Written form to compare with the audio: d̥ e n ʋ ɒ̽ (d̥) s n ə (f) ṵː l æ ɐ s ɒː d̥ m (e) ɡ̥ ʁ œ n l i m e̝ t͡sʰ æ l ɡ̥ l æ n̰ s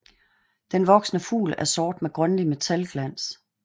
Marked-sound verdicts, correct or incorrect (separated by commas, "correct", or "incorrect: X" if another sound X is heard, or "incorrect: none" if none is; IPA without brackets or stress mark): incorrect: ɡ̥, correct, correct